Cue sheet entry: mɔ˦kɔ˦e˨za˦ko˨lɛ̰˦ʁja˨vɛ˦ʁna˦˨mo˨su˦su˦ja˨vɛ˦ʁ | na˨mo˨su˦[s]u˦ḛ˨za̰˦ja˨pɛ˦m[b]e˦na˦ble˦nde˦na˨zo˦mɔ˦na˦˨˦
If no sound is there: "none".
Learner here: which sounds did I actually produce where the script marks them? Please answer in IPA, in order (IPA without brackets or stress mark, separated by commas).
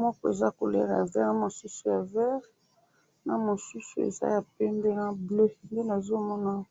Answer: s, b